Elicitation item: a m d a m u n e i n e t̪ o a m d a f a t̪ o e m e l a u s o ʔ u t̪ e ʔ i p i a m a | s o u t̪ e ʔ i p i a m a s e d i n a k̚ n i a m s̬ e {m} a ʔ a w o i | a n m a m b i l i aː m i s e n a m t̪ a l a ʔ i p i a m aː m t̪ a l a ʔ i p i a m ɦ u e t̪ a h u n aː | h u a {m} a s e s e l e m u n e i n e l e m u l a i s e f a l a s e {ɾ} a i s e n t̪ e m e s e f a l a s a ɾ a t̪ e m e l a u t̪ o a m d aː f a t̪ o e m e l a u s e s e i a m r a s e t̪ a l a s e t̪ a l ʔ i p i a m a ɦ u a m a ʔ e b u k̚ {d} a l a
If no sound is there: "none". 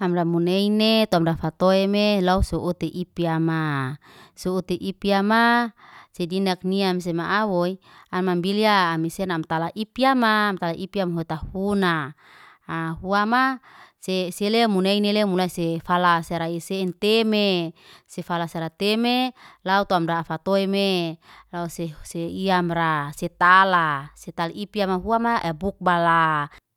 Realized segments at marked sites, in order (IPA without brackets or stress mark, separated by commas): m, m, ɾ, b